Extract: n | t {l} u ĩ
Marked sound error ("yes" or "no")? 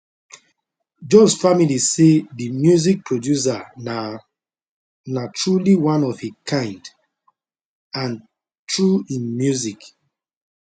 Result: yes